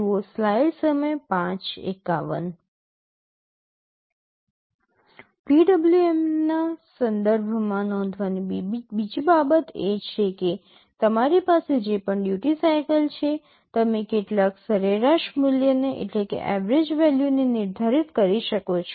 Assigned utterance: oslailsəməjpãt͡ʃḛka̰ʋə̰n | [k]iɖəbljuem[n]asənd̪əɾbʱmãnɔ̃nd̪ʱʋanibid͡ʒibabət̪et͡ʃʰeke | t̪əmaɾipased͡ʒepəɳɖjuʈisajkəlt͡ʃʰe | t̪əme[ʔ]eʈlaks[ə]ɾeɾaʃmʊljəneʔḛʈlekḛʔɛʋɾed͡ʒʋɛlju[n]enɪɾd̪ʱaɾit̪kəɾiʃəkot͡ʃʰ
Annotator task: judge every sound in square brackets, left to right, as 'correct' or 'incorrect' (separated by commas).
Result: incorrect, correct, incorrect, correct, correct